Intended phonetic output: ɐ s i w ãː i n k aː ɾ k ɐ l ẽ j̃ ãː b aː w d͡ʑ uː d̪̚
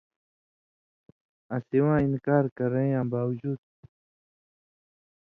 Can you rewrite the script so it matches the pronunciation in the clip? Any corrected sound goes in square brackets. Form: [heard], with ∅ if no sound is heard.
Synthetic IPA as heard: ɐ s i w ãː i n k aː ɾ k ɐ [ɾ] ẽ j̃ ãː b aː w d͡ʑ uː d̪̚